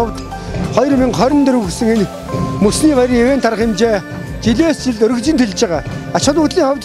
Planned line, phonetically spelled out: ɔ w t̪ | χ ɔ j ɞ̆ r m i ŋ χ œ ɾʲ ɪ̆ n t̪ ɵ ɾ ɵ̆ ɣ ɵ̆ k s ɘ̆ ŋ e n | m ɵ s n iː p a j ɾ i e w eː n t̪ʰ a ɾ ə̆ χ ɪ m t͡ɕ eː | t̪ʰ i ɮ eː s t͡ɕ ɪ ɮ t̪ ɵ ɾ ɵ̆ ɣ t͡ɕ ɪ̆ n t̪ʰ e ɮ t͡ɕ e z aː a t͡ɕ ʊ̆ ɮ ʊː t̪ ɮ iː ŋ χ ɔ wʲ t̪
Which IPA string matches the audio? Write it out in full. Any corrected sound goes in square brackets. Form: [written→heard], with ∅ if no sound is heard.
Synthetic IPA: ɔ w t̪ | χ ɔ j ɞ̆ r m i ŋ χ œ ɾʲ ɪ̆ n t̪ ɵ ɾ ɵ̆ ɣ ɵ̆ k s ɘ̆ ŋ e n | m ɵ s n iː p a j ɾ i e w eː n t̪ʰ a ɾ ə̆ χ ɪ m t͡ɕ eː | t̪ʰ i ɮ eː s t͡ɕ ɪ ɮ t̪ ɵ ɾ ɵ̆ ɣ t͡ɕ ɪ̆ n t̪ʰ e ɮ t͡ɕ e [z→ʁ] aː a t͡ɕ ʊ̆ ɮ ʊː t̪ ɮ iː ŋ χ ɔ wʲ t̪